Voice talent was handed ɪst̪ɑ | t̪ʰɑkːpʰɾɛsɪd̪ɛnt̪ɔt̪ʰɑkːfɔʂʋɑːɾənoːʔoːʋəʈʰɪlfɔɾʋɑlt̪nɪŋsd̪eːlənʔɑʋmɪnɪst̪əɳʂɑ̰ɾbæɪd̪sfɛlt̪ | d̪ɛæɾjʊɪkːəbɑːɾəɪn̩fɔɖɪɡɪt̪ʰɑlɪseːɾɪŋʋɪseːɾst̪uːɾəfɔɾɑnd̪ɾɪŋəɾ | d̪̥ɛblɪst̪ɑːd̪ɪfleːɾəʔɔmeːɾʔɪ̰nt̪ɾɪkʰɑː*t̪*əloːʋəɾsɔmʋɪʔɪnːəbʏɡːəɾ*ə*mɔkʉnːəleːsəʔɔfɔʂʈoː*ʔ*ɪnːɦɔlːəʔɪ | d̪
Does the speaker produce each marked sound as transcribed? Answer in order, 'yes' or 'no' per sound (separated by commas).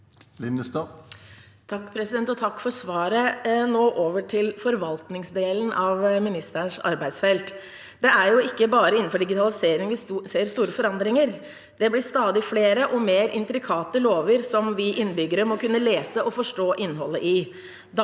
yes, yes, yes